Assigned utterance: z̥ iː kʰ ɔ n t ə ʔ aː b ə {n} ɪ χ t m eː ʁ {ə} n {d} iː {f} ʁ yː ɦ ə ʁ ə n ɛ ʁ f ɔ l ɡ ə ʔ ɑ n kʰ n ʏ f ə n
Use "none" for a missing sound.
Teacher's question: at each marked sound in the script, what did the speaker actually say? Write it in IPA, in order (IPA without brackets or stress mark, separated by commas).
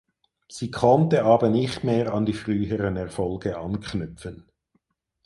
n, ɑ, d, f